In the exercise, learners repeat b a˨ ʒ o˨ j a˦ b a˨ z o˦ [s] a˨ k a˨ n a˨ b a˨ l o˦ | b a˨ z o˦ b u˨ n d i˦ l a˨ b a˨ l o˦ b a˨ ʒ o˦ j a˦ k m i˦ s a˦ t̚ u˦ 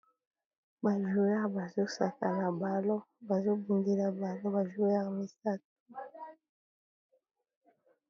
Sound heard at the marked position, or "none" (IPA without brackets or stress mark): s